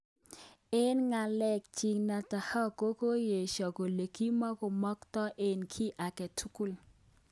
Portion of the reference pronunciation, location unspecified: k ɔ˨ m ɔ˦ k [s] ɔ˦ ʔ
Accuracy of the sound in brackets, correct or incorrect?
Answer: incorrect